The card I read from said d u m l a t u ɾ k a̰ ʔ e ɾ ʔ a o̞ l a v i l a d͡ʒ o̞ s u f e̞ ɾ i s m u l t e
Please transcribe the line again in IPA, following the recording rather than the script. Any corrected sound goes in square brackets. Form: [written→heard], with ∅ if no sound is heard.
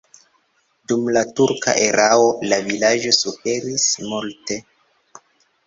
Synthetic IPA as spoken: d u m l a t u ɾ k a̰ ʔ e ɾ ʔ a o̞ l a v i l a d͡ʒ o̞ s u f e̞ ɾ i s m u l t e